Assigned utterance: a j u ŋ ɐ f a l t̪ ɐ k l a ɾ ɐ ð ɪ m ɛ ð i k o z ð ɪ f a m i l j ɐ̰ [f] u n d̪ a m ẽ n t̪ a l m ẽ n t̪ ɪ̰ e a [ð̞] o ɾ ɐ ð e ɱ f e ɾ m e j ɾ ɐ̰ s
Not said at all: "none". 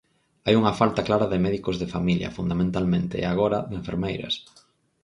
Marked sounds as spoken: f, ɣ̞

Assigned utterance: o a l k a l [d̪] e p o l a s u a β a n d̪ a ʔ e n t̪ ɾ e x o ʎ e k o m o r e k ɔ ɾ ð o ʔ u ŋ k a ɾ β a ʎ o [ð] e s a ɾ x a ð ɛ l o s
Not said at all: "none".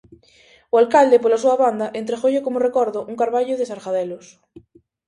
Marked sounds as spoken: d̪, ð

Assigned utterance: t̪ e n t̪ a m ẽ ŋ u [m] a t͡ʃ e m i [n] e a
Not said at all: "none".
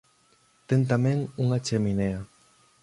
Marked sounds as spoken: ŋ, n

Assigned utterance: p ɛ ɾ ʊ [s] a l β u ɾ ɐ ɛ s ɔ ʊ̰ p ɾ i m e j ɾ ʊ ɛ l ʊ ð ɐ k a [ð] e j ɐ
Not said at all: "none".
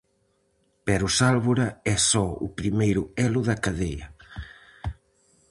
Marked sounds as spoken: s, ð

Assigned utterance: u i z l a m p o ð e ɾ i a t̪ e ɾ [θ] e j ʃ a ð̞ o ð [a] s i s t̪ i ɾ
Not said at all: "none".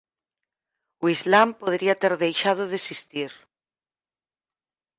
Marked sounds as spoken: ð, e

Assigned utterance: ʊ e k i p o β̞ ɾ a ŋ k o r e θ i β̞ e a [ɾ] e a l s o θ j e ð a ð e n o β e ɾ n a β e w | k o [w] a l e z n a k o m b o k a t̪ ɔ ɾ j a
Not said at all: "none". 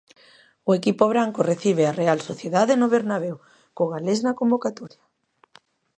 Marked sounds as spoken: r, ɣ

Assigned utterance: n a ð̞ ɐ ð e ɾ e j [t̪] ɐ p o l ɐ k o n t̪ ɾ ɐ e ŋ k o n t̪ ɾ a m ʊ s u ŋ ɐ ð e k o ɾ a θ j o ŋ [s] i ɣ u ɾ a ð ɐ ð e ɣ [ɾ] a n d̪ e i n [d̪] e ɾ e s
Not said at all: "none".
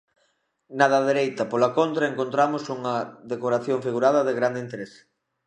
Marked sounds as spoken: t̪, f, ɾ, t̪

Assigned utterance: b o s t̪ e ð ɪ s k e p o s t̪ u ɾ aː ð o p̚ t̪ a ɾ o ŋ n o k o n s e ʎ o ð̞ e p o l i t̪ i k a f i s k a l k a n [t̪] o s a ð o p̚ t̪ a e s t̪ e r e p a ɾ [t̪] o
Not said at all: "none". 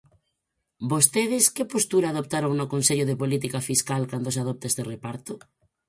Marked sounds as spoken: d̪, t̪

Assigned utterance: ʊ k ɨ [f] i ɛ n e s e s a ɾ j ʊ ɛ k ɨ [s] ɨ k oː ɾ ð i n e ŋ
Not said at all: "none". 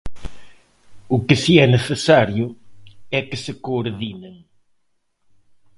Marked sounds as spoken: s, s

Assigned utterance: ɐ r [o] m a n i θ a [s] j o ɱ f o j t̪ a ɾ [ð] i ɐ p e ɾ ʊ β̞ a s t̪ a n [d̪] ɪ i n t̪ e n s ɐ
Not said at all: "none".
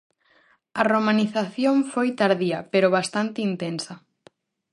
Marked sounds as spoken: o, θ, ð, t̪

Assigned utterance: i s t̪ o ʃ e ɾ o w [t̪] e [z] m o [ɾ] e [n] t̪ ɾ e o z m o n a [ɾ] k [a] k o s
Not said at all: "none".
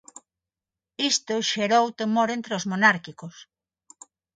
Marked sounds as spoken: t̪, none, ɾ, n, ɾ, i

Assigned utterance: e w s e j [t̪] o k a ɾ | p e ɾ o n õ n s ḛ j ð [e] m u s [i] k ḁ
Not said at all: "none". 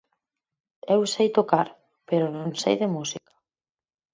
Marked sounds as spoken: t̪, e, i

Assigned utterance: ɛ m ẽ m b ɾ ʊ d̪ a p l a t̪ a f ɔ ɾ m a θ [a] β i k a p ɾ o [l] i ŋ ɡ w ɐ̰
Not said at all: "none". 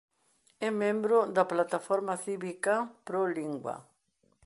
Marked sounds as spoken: i, l

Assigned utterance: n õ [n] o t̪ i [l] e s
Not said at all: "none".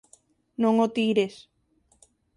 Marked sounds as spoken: ŋ, ɾ

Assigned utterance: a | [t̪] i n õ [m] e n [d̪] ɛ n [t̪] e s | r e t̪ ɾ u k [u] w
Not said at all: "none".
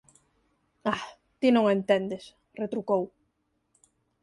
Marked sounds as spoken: t̪, ŋ, t̪, d̪, o

